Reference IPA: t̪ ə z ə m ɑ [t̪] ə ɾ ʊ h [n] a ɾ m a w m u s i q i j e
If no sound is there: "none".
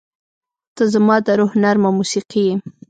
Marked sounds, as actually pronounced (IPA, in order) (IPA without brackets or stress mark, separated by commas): d̪, n